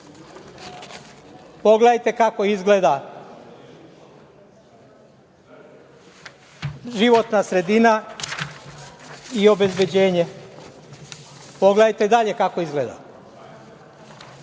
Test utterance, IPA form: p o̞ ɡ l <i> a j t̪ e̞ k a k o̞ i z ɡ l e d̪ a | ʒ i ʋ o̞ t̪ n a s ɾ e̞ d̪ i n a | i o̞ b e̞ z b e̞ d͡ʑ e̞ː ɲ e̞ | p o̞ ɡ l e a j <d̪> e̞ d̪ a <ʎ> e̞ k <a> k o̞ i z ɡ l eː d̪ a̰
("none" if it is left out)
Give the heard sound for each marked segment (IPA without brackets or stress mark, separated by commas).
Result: e, t̪, ʎ, a